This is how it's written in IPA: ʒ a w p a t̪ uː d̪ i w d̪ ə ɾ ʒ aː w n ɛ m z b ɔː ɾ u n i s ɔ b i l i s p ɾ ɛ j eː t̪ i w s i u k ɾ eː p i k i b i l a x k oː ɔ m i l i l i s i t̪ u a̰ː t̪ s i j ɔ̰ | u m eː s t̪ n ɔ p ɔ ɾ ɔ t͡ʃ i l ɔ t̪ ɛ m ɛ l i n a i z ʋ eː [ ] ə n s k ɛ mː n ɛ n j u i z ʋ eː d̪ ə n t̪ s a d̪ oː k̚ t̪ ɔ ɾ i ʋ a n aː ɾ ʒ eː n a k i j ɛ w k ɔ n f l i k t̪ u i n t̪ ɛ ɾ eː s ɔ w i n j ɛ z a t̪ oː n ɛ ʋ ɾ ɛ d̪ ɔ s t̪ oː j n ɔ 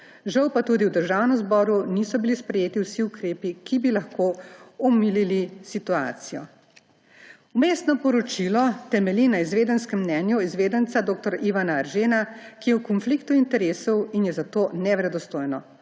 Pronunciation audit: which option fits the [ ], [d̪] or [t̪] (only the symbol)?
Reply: d̪